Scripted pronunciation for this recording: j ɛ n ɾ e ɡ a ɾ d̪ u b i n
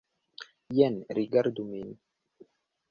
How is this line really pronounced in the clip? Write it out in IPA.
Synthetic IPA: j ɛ n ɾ i ɡ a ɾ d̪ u m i n